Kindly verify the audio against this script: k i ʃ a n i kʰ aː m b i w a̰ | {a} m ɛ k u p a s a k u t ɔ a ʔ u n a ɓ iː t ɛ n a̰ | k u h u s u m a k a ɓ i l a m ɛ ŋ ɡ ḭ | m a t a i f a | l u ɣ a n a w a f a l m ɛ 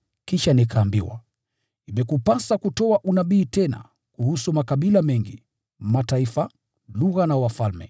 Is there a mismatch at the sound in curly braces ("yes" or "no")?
yes